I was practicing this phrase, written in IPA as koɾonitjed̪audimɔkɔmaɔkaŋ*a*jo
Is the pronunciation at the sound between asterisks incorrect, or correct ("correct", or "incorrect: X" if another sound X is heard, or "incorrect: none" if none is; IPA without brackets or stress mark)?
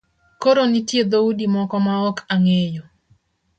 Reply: incorrect: e